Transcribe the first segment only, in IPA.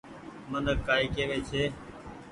m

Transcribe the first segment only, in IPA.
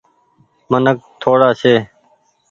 m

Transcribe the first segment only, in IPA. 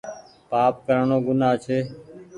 p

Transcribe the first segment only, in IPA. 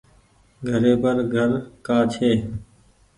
ɡʱ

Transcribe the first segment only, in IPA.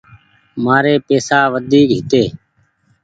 m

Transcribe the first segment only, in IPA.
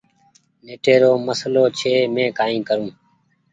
n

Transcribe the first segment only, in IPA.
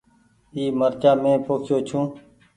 iː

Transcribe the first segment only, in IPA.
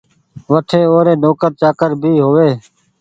ʋ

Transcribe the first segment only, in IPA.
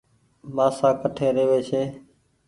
m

